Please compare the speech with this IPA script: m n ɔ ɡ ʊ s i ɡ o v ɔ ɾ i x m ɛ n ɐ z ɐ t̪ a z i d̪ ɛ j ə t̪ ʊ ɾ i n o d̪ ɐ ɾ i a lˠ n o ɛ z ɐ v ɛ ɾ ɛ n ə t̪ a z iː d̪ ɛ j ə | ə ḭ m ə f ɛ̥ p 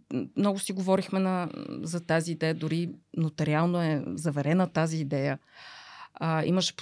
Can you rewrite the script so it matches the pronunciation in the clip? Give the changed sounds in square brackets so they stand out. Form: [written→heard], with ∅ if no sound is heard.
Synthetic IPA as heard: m n ɔ ɡ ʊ s i ɡ o v ɔ ɾ i x m ɛ n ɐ z ɐ t̪ a z [i→iː] d̪ ɛ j ə [t̪→d̪] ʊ ɾ i n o [d̪→t̪] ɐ ɾ i a lˠ n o ɛ z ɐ v ɛ ɾ ɛ n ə t̪ a z iː d̪ ɛ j ə | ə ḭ m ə [f→ʃ] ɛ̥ p